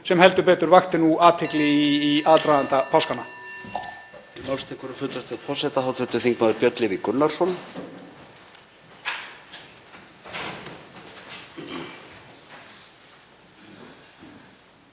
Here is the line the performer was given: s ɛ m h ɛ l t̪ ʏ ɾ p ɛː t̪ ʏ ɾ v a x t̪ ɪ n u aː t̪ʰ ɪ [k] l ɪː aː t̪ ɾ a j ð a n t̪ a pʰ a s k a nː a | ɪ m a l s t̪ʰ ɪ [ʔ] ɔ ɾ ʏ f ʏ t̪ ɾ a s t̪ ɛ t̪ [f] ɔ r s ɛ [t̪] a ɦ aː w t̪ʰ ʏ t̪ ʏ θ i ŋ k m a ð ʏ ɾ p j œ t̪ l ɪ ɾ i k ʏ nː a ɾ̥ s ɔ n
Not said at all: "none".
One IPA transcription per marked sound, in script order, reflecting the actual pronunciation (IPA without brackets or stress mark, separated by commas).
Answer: k, k, f, t̪